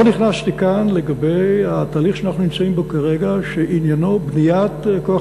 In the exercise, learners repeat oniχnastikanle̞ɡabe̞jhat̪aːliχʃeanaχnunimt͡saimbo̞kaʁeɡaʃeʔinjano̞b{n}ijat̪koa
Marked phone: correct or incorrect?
correct